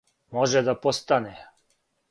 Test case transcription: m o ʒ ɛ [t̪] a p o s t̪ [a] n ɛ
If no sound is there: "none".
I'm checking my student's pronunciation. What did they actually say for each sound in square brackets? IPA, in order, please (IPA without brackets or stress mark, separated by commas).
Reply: d̪, a